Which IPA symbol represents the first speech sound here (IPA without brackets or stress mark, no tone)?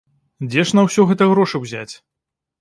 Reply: d͡zʲ